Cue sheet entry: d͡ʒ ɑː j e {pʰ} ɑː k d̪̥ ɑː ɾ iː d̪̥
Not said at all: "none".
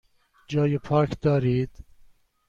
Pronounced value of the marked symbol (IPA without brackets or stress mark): pʰ